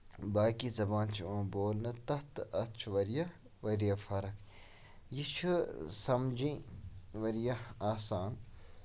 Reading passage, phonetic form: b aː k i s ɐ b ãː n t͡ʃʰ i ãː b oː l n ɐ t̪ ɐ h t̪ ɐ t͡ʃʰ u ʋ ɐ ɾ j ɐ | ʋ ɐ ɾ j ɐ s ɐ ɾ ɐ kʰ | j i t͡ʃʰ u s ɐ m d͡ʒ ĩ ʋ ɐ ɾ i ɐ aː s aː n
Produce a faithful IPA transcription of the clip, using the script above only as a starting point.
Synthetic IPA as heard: b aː k i z ɐ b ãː n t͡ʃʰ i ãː b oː l n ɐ t̪ ɐ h t̪ ɐ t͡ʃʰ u ʋ ɐ ɾ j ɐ | ʋ ɐ ɾ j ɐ f ɐ ɾ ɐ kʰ | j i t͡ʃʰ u s ɐ m d͡ʒ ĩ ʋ ɐ ɾ j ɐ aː s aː n